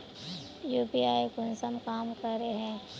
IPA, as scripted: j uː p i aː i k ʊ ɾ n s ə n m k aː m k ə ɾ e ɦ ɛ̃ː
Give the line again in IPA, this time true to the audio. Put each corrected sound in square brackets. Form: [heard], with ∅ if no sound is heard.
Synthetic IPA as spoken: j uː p i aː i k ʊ [∅] n s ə [∅] m k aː m k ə ɾ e ɦ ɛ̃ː